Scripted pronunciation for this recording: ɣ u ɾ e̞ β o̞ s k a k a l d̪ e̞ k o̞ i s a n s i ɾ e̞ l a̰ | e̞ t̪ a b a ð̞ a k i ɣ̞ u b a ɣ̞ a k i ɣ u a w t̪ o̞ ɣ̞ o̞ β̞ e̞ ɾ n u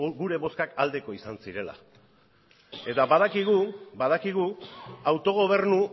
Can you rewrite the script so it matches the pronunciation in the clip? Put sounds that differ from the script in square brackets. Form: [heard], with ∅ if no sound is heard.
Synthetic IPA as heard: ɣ u ɾ e̞ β o̞ s k a k a l d̪ e̞ k o̞ i s a n s i ɾ e̞ l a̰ | e̞ t̪ a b a ð̞ a k i ɣ̞ u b a [ð̞] a k i ɣ u a w t̪ o̞ ɣ̞ o̞ β̞ e̞ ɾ n u

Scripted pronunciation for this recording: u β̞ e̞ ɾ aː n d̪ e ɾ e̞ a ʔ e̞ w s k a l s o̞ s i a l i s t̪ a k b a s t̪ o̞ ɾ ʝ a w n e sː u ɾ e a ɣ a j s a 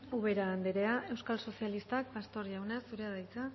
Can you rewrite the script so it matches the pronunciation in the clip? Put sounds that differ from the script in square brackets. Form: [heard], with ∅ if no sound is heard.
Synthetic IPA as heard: u β̞ e̞ ɾ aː n d̪ e ɾ e̞ a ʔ e̞ w s k a l s o̞ s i a l i s t̪ a k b a s t̪ o̞ ɾ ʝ a w n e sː u ɾ e a [ð] a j [t͡s] a

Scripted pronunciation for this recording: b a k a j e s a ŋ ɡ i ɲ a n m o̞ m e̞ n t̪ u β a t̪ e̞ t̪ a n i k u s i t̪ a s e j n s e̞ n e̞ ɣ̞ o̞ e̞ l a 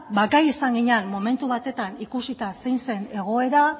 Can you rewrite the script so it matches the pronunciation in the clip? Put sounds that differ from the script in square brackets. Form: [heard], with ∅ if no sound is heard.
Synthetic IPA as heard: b a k a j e s a ŋ ɡ i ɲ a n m o̞ m e̞ n t̪ u β a t̪ e̞ t̪ a n i k u s i t̪ a s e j n s e̞ n e̞ ɣ̞ o̞ e̞ [ɾ] a

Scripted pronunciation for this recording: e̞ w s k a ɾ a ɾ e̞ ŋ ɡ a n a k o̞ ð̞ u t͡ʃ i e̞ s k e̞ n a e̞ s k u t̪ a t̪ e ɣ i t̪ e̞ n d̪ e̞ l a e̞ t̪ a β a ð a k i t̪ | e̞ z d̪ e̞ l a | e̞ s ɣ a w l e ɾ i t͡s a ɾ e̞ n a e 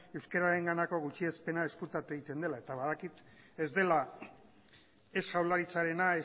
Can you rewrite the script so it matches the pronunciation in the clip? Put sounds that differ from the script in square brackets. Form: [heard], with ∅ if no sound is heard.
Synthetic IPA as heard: e̞ w s k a ɾ a ɾ e̞ ŋ ɡ a n a k o̞ [ɣ̞] u t͡ʃ i e̞ s [p] e̞ n a e̞ s k u t̪ a t̪ e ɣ i t̪ e̞ n d̪ e̞ l a e̞ t̪ a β a ð a k i t̪ | e̞ z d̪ e̞ l a | e̞ s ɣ a w l [a] ɾ i t͡s a ɾ e̞ n a e

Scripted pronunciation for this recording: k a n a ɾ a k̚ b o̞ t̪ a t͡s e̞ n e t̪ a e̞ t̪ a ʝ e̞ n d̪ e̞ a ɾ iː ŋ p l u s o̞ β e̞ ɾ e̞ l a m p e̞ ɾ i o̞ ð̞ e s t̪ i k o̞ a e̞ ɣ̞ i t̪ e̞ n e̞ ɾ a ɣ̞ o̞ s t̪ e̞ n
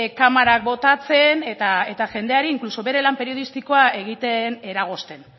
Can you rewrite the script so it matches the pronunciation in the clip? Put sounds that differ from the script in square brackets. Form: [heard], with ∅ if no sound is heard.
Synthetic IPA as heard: k a [m] a ɾ a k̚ b o̞ t̪ a t͡s e̞ n e t̪ a e̞ t̪ a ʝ e̞ n d̪ e̞ a ɾ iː ŋ [k] l u s o̞ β e̞ ɾ e̞ l a m p e̞ ɾ i o̞ ð̞ [i] s t̪ i k o̞ a e̞ ɣ̞ i t̪ e̞ n e̞ ɾ a ɣ̞ o̞ s t̪ e̞ n

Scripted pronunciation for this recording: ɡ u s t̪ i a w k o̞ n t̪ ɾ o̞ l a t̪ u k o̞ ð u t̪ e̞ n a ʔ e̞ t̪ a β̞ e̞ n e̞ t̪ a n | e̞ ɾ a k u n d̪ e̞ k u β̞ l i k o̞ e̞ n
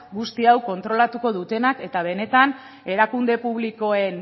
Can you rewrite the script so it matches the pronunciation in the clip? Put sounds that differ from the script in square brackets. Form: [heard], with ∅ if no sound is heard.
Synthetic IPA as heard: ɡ u s t̪ i a w k o̞ n t̪ ɾ o̞ l a t̪ u k o̞ ð u t̪ e̞ n a [k] e̞ t̪ a β̞ e̞ n e̞ t̪ a n | e̞ ɾ a k u n d̪ e̞ [p] u β̞ l i k o̞ e̞ n

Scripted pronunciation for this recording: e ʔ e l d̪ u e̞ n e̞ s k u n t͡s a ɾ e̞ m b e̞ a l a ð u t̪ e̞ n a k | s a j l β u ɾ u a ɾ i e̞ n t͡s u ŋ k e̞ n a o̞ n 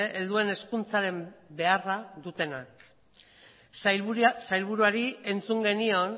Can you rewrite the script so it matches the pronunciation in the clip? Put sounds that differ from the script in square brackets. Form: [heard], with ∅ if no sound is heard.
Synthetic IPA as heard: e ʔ e l d̪ u e̞ n e̞ s k u n t͡s a ɾ e̞ m b e̞ a [r] a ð u t̪ e̞ n a k | s a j l β u ɾ u a ɾ i e̞ n t͡s u ŋ [ɡ] e̞ n [i] o̞ n

